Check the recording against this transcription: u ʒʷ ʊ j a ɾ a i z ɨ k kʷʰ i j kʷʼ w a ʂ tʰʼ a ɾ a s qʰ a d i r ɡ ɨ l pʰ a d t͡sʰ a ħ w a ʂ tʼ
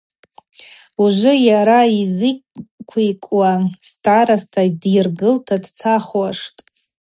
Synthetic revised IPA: u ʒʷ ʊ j a ɾ a i z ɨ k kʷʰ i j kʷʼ w a s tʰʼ a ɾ a s tʰ a d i r ɡ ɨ l tʰ a d t͡sʰ a χ w a ʂ tʼ

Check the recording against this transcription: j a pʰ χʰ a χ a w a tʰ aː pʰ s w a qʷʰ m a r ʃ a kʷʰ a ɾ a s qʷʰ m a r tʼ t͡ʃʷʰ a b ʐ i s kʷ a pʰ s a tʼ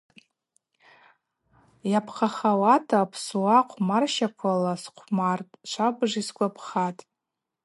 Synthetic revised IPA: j a pʰ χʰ a χ a w a tʰ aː pʰ s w a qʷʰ m a r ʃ a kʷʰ a l a s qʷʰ m a r tʼ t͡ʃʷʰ a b ʐ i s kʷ a pʰ χ a tʼ

